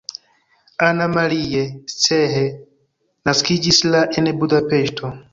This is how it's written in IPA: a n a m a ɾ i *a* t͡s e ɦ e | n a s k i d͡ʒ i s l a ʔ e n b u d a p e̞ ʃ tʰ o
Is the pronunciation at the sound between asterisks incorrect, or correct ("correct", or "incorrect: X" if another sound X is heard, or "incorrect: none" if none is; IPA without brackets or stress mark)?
incorrect: e